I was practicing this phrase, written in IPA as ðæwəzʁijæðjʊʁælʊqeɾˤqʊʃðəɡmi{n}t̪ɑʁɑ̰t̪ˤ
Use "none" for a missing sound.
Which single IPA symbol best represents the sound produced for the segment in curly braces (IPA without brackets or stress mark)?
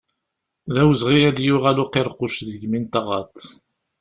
n